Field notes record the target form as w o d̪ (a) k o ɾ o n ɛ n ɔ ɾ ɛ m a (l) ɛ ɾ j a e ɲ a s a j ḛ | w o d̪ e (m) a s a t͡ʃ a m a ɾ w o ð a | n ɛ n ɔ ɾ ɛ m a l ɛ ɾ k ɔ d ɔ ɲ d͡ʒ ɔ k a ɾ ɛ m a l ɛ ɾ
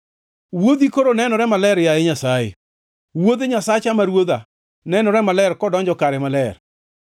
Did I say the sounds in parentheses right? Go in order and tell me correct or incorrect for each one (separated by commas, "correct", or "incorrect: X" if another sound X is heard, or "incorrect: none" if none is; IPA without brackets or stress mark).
incorrect: i, correct, incorrect: ɲ